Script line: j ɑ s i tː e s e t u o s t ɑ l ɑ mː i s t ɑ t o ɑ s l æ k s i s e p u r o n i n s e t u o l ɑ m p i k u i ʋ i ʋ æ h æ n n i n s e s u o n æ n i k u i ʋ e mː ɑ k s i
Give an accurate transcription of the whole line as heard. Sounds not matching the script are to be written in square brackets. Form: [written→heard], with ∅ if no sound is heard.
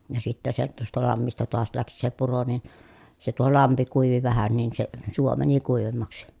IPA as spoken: j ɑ s i tː [e→æ] s e t u o s t ɑ l ɑ mː i s t ɑ t o ɑ s l æ k s i s e p u r o n i n s e t u o l ɑ m p i k u i ʋ i ʋ æ h æ n n i n s e s u o [n→m] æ n i k u i ʋ e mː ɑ k s i